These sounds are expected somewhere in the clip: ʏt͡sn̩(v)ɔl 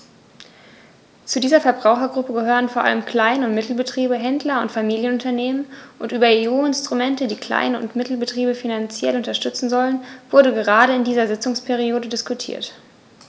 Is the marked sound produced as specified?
no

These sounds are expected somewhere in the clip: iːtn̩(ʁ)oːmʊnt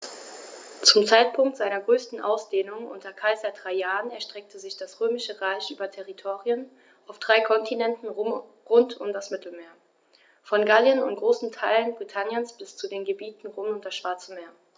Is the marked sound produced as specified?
yes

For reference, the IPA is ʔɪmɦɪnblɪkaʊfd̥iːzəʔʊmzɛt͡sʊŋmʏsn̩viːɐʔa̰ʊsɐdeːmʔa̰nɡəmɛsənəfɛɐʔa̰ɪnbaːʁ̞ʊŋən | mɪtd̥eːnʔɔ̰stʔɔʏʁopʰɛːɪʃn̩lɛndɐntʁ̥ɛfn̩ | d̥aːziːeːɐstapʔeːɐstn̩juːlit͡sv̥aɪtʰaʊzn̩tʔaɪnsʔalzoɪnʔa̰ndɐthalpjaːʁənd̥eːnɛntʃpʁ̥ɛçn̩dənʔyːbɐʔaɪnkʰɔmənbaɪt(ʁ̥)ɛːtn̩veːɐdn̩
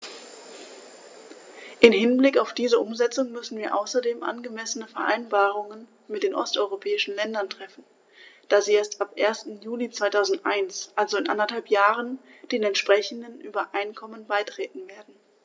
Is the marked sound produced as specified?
yes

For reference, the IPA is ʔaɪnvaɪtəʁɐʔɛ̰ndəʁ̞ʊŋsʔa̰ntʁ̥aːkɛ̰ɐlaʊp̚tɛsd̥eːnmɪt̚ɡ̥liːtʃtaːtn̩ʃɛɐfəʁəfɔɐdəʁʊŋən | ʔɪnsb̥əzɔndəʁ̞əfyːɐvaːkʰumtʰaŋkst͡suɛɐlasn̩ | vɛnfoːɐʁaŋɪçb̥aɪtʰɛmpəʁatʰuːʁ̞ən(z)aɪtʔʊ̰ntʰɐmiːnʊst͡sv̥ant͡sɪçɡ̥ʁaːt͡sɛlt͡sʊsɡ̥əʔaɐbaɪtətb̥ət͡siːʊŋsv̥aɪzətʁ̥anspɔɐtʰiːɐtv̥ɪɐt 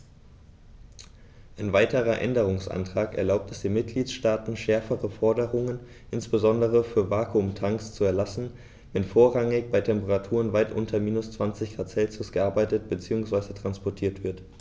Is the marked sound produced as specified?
no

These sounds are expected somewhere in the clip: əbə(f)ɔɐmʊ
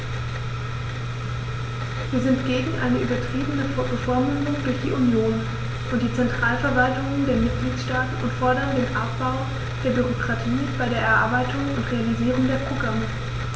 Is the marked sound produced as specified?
yes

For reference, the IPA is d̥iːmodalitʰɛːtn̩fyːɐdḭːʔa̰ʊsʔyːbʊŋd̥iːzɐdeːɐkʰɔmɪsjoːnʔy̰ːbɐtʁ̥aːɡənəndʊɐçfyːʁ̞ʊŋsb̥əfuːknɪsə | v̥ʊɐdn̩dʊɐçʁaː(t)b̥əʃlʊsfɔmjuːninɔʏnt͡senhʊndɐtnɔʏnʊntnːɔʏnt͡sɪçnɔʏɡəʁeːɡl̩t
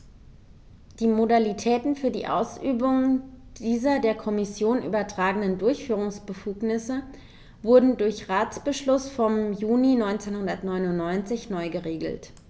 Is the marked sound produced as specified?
no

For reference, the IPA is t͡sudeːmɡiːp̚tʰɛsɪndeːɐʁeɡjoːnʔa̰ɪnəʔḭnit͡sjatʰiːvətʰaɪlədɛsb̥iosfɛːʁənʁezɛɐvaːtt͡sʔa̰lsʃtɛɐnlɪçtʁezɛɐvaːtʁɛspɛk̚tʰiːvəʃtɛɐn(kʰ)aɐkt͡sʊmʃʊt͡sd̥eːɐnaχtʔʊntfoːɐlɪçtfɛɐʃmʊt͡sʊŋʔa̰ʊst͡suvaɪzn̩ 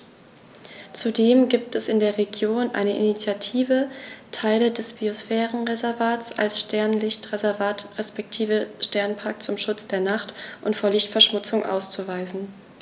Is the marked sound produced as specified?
no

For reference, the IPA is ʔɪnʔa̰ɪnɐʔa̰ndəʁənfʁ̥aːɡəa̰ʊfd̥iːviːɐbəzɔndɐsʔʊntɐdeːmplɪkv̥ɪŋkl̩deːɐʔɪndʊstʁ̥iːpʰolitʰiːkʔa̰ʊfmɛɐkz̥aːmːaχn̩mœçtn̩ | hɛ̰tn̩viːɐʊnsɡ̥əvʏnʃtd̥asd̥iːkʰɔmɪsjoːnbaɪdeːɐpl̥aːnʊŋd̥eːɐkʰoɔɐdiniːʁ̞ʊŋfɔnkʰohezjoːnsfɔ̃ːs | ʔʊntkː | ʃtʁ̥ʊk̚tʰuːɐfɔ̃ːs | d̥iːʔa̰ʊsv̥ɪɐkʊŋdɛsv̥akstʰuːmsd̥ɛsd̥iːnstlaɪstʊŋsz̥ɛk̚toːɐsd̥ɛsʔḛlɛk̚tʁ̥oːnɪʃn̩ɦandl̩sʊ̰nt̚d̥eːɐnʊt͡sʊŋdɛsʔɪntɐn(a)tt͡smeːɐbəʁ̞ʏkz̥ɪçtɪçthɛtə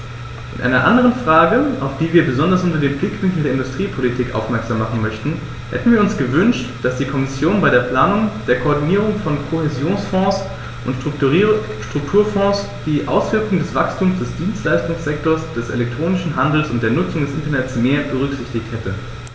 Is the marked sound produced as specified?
no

